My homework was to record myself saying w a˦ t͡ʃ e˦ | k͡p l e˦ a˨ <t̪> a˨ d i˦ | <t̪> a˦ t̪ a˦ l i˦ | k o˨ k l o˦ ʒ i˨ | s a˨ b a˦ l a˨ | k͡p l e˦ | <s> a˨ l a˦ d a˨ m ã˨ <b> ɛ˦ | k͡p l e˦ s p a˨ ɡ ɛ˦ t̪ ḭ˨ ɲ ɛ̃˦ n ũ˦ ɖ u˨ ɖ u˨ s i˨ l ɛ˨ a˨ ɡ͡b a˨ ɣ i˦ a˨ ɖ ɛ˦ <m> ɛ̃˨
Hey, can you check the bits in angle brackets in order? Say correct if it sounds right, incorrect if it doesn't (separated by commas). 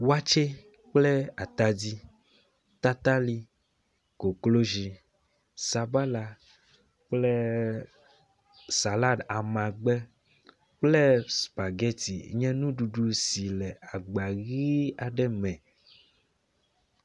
correct, correct, correct, incorrect, correct